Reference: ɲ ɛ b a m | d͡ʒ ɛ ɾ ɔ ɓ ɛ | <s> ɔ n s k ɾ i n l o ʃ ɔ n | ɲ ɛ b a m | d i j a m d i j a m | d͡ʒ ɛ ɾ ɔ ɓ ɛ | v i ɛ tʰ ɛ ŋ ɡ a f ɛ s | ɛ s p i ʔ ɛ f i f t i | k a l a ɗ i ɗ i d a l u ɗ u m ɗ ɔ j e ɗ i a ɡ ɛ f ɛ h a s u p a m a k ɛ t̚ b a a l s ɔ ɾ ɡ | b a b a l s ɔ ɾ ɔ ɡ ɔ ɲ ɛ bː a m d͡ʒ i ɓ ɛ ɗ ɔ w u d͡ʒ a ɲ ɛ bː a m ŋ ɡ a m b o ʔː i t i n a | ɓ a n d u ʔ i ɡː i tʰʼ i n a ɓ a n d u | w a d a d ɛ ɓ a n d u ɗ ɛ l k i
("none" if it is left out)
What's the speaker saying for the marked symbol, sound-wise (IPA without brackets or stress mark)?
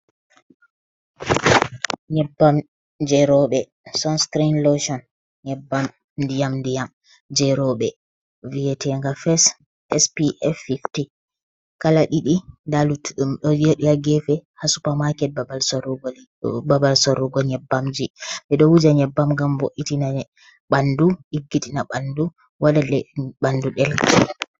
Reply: s